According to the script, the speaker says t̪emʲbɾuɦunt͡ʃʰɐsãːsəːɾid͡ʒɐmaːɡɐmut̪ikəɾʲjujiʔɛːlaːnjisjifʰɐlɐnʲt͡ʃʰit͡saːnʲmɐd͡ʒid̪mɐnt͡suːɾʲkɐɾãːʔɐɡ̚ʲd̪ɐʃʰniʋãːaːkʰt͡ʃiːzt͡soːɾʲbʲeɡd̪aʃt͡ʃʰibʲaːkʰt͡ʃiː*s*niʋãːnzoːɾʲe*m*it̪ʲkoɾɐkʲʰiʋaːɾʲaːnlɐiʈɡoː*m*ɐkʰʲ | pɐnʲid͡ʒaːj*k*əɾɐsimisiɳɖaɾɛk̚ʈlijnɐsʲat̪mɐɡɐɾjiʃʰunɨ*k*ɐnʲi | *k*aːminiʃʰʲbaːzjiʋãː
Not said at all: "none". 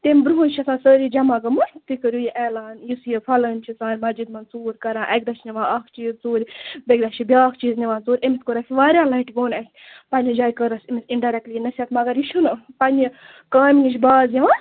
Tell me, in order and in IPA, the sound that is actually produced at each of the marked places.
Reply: z, m, n, k, p, k

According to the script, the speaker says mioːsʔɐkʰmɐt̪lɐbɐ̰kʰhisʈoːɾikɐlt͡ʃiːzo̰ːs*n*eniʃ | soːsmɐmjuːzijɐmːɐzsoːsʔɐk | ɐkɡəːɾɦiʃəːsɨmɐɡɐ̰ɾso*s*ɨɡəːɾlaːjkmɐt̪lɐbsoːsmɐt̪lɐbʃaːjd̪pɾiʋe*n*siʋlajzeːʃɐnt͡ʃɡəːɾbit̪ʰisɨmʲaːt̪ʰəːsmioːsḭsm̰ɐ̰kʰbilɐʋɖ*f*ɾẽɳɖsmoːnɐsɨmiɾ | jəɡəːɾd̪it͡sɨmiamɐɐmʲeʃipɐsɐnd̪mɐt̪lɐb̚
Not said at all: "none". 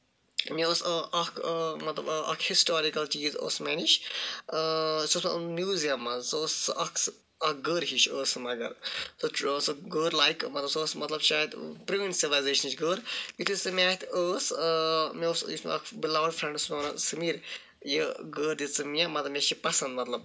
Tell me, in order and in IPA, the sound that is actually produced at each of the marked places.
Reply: m, s, n, f

